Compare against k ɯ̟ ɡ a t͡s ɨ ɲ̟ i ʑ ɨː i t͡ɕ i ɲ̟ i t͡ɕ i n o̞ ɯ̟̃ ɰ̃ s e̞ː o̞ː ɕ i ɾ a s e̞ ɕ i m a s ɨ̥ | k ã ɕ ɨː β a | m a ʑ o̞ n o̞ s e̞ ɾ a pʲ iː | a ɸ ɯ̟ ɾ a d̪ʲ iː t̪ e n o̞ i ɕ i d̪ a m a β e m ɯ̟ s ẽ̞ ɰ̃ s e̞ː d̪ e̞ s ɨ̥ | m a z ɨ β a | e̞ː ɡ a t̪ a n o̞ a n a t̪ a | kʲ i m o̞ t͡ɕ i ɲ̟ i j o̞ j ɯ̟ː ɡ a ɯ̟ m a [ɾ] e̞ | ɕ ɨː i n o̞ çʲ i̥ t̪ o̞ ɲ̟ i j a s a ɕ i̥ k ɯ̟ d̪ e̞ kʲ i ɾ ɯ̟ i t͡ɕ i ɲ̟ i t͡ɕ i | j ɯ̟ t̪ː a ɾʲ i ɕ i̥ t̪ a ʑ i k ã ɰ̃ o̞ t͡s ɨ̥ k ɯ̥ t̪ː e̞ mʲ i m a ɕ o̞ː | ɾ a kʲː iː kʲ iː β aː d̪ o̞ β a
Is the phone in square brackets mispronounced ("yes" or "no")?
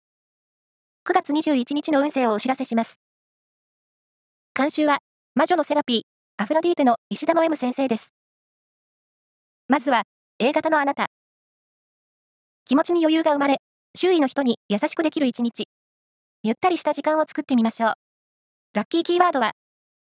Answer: no